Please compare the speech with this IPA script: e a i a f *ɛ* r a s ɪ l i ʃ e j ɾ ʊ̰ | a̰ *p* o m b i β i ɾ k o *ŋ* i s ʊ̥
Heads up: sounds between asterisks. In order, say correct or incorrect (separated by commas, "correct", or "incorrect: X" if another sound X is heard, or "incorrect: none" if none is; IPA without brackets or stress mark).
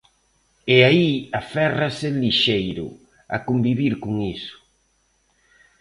correct, incorrect: k, correct